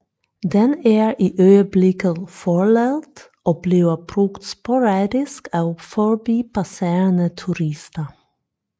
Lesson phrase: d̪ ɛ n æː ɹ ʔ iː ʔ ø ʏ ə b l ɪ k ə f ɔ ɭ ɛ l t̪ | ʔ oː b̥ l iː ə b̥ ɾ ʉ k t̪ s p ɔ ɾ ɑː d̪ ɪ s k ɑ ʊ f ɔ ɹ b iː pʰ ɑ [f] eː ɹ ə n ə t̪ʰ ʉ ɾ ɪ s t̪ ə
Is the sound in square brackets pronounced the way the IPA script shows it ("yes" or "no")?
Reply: no